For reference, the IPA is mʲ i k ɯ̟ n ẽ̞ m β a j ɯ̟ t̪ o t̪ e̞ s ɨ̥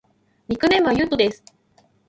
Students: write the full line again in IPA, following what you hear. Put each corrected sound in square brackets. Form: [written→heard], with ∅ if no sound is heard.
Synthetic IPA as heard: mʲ i k ɯ̟ n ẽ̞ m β a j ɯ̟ t̪ o [t̪→d̪] e̞ s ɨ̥